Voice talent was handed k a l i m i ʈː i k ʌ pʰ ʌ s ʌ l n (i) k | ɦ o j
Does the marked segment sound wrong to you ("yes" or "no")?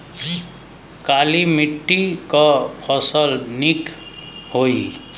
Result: no